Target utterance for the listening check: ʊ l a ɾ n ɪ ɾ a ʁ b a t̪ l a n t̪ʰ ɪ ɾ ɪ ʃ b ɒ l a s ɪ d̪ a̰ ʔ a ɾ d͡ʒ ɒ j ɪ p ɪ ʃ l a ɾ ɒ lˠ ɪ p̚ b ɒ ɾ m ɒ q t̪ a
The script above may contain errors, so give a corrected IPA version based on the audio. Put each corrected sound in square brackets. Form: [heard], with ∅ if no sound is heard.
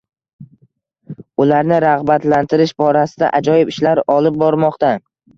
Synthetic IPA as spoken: ʊ l a ɾ n ɪ ɾ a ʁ b a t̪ l a n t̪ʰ ɪ ɾ ɪ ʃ b ɒ [ɾ] a s ɪ d̪ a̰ ʔ a [∅] d͡ʒ ɒ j ɪ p ɪ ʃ l a ɾ ɒ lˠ ɪ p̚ b ɒ ɾ m ɒ q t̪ a